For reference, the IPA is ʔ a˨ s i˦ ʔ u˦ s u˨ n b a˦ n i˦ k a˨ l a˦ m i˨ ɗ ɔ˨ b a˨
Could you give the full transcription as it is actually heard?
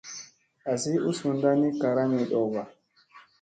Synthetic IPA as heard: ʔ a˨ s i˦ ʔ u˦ s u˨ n d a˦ n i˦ k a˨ ɾ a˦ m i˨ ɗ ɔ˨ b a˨